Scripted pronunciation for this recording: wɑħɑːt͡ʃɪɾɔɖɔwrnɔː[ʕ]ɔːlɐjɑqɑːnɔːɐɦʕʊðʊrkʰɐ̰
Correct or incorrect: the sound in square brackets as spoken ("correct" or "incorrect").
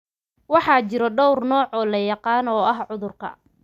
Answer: correct